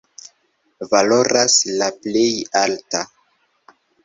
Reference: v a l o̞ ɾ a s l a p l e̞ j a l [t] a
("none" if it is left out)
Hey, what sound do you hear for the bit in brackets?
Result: t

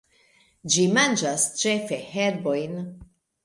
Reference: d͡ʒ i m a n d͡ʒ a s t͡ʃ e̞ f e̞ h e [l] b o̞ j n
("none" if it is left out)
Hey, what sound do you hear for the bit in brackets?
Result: ɾ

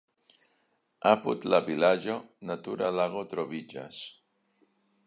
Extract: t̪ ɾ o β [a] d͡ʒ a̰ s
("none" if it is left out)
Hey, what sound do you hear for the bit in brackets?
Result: i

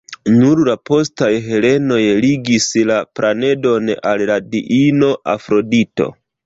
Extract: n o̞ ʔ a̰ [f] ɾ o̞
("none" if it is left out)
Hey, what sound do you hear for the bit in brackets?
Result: f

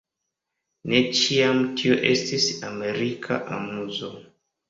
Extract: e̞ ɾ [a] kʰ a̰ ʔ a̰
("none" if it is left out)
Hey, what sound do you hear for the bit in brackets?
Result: i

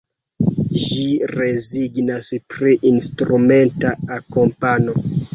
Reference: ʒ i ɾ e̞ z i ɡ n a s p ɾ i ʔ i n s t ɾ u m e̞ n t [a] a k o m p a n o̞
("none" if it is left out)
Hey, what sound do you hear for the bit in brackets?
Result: a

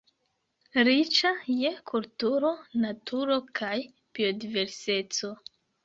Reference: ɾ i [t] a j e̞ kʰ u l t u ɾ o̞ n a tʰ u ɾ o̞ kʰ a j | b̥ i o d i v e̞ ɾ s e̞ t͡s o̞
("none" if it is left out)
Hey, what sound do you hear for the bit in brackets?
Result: t͡ʃ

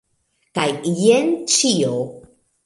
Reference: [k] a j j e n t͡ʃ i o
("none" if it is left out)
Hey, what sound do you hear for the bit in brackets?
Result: k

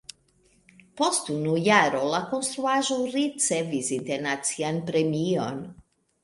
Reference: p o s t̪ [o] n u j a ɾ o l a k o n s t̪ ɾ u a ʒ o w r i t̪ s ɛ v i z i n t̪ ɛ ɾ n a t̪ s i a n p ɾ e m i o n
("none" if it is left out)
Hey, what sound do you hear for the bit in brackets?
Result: u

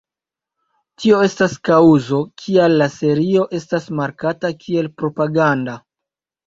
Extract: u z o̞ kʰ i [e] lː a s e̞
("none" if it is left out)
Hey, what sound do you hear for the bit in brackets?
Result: a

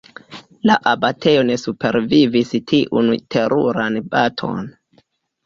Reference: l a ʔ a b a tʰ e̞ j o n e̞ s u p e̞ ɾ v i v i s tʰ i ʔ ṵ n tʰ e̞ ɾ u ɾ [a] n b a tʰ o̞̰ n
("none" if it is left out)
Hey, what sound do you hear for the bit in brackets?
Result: a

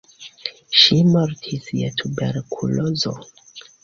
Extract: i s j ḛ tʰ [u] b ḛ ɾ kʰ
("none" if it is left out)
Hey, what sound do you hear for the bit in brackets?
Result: u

